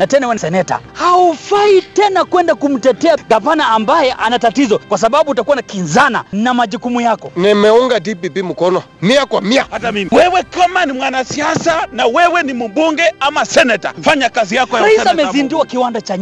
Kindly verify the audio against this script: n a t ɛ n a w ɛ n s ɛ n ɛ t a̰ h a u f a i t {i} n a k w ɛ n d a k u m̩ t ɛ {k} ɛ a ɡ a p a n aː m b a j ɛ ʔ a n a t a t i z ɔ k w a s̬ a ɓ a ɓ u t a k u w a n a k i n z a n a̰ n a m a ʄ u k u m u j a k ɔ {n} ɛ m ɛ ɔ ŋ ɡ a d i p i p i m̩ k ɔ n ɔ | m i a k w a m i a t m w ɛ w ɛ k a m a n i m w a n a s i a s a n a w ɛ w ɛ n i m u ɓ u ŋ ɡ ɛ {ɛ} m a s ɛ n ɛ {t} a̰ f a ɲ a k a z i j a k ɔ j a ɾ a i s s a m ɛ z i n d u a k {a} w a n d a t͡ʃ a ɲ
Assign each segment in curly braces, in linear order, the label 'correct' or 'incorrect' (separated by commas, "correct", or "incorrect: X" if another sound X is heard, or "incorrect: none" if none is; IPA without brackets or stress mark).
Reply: incorrect: ɛ, incorrect: t, correct, incorrect: a, correct, incorrect: i